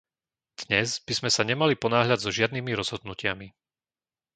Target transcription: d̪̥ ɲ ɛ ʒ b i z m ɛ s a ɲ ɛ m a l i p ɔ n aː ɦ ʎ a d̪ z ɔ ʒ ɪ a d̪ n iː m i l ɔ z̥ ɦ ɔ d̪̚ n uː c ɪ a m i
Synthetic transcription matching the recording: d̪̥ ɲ ɛ z b i z m ɛ s a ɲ ɛ m a l i p ɔ n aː ɦ ʎ a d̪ z ɔ ʒ ɪ a d̪ n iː m i ɾ ɔ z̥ ɦ ɔ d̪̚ n u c ɪ a m i